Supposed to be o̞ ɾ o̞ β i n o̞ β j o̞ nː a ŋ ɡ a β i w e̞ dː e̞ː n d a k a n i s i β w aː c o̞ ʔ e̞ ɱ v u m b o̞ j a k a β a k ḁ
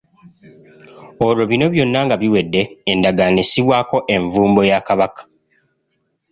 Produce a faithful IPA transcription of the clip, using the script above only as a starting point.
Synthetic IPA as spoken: o̞ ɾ o̞ β i n o̞ β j o̞ nː a ŋ ɡ a β i w e̞ dː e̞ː n d a ɡ a n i s i β w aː k o̞ ʔ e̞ ɱ v uː m b o̞ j a k a β a k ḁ

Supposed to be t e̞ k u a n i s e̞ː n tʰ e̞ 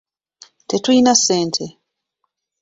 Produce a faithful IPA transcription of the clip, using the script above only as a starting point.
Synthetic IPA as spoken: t e̞ t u i n a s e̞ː n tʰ e̞

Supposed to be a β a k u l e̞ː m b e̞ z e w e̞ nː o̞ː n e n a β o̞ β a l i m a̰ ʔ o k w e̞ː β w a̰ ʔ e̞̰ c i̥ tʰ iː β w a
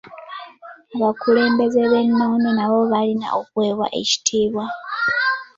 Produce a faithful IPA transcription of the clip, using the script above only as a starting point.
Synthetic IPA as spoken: a β a k u l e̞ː m b e̞ z e β e̞ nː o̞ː n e n a β o̞ β a l i n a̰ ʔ o k w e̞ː β w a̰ ʔ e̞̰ c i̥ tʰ iː β w a

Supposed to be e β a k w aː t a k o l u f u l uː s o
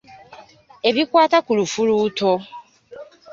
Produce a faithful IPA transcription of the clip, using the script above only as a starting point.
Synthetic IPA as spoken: e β i k w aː t a k u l u f u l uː t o

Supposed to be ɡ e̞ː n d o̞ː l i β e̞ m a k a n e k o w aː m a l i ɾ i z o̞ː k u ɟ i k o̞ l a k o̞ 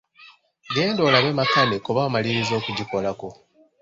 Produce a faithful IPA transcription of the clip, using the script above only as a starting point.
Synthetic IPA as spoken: ɡ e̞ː n d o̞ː l a β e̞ m a k a n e k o β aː m a l i ɾ i z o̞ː k u ɟ i k o̞ l a k o̞

